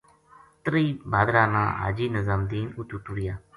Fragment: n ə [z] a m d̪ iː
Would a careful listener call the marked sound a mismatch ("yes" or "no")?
no